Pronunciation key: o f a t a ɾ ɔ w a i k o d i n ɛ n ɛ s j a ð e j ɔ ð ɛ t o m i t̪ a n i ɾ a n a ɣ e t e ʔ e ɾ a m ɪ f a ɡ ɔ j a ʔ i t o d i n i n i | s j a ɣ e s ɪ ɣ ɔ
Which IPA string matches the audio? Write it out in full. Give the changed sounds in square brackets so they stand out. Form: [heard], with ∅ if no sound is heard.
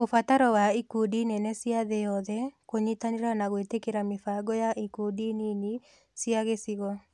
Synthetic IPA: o f a t a ɾ ɔ w a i k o d i n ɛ n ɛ s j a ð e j ɔ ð ɛ [k] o [ɲ] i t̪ a n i ɾ a n a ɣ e t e [k] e ɾ a m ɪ f a ɡ ɔ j a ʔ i [k] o d i n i n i | s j a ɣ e s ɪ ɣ ɔ